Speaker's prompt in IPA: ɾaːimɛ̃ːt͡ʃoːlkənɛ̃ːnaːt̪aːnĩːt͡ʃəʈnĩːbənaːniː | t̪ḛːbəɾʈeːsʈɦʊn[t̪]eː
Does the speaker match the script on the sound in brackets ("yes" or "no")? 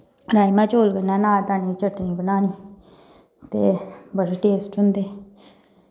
no